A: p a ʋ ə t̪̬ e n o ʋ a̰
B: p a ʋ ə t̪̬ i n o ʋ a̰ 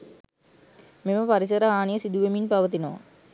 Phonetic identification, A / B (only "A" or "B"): B